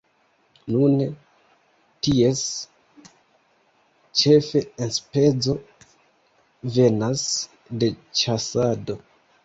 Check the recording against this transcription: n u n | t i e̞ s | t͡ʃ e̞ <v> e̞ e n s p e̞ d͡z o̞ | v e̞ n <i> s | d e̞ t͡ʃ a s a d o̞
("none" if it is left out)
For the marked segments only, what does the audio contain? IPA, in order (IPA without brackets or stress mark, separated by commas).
f, a